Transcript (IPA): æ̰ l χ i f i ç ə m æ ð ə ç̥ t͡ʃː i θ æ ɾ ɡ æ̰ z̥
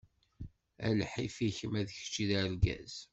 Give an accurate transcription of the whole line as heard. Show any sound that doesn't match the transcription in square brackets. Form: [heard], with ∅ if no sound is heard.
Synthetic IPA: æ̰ l [ħ] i f i ç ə m æ ð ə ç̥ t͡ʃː i [ð] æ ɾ ɡ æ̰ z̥